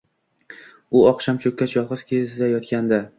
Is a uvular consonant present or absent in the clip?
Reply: present